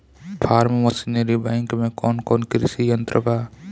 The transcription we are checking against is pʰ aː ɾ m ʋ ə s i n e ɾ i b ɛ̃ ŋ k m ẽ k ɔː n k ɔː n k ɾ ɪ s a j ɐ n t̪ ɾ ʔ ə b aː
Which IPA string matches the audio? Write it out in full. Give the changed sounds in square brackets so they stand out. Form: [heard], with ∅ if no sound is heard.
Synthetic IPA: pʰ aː ɾ m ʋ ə s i n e ɾ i b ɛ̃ ŋ k m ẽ k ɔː n k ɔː n k ɾ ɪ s [i] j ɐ n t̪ ɾ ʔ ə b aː